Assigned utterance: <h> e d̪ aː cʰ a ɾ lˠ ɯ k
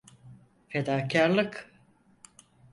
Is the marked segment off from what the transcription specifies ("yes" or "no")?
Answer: yes